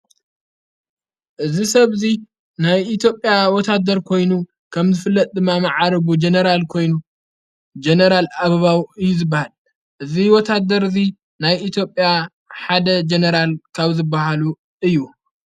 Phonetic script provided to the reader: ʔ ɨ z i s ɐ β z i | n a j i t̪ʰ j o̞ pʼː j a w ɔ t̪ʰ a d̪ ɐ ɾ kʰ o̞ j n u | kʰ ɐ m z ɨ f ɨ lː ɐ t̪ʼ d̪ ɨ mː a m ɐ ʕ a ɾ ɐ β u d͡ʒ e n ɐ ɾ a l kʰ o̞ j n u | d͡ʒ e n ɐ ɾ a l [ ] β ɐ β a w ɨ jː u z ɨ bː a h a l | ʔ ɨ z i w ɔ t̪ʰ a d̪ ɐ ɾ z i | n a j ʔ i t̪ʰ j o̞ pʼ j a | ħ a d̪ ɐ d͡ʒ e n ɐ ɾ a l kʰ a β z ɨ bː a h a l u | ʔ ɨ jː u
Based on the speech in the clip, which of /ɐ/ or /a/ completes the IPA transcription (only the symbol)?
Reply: a